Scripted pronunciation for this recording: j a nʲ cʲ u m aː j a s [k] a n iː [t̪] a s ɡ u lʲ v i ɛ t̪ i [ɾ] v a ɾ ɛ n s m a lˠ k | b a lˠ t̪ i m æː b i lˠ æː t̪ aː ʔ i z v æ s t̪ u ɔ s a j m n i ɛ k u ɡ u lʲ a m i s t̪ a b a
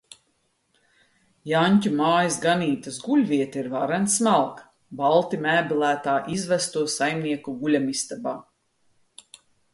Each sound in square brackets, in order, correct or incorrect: incorrect: ɡ, correct, correct

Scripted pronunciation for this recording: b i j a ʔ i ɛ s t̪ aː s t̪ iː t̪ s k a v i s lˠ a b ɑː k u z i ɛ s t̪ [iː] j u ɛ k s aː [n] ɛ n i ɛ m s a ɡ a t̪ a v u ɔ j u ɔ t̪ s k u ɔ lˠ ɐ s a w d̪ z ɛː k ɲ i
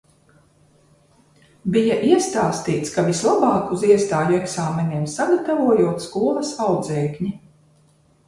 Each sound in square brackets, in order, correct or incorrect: incorrect: aː, incorrect: m

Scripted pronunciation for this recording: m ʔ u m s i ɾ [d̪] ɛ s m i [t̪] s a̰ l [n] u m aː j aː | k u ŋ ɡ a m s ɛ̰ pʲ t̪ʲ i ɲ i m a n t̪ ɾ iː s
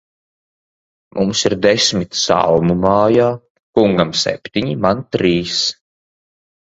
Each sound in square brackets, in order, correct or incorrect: correct, correct, incorrect: m

